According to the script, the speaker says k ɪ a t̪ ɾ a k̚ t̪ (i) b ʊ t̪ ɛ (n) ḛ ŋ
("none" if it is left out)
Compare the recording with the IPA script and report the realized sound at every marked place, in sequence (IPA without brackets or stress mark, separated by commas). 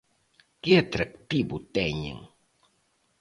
i, ɲ